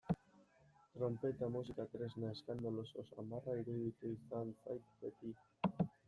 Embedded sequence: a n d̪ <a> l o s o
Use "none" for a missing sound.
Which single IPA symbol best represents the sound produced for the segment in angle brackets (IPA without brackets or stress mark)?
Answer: a